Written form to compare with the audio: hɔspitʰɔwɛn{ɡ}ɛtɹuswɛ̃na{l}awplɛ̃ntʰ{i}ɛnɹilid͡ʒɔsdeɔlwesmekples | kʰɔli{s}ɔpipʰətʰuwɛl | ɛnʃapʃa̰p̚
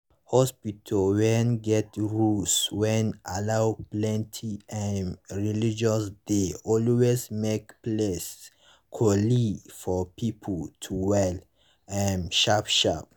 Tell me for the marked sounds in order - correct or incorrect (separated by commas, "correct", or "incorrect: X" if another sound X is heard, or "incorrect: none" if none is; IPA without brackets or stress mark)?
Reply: correct, correct, correct, incorrect: f